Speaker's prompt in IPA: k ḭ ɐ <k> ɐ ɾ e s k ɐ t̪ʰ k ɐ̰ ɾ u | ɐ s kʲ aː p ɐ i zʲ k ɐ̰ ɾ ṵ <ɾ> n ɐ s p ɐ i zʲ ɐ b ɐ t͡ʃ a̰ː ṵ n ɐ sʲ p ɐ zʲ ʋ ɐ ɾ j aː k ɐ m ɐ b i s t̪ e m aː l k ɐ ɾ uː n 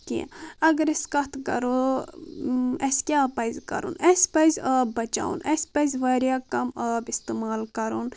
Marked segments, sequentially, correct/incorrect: incorrect, incorrect

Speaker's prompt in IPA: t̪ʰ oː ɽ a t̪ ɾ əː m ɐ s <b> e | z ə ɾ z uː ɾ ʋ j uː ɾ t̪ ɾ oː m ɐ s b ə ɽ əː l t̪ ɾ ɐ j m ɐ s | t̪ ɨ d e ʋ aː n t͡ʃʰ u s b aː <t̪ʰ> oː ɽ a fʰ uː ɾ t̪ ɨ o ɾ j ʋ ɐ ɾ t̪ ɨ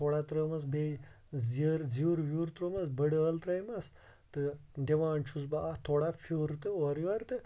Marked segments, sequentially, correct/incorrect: correct, correct

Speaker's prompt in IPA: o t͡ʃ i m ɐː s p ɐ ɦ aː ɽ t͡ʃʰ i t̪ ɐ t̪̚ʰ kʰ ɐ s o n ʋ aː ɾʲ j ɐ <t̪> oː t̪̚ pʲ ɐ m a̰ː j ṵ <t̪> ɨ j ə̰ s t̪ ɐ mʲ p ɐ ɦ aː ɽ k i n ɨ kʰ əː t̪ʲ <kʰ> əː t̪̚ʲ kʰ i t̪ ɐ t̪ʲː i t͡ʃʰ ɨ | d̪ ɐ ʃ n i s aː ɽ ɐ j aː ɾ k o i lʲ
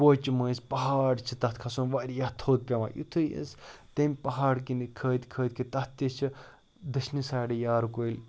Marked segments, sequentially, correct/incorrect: incorrect, incorrect, correct

